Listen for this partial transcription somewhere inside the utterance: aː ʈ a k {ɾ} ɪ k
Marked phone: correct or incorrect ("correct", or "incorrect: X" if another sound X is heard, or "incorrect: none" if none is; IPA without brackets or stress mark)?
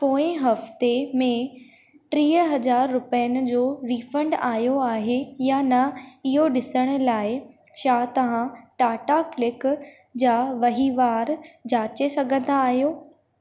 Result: incorrect: l